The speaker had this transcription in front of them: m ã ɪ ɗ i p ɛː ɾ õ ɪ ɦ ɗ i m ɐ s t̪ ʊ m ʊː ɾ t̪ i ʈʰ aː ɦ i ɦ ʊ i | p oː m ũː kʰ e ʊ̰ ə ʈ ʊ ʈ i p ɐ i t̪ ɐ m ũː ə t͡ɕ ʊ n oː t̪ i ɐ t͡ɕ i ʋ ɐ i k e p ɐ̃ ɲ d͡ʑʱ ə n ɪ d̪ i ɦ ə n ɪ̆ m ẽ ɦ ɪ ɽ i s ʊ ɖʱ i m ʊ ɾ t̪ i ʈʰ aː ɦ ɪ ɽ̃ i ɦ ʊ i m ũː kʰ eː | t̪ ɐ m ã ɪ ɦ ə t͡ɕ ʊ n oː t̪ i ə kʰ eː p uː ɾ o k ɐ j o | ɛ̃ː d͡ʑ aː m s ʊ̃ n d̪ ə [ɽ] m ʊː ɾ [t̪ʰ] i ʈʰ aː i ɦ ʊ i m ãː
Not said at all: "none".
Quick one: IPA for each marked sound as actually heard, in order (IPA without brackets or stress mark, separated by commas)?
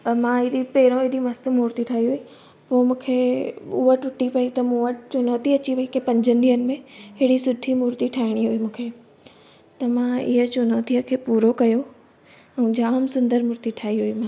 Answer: ɾ, t̪